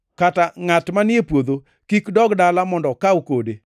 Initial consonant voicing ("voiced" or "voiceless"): voiceless